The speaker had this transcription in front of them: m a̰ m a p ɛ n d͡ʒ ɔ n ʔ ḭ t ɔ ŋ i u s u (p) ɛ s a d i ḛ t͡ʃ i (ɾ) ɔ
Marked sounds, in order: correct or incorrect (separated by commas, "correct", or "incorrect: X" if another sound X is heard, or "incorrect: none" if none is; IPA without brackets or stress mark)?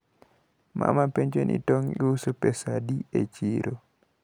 correct, correct